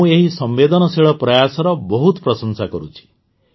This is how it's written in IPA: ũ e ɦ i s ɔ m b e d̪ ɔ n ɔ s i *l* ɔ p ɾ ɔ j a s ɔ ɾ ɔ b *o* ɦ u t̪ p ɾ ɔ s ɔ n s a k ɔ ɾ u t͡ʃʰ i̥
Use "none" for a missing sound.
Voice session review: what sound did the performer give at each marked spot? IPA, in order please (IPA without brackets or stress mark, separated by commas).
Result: ɭ, ɔ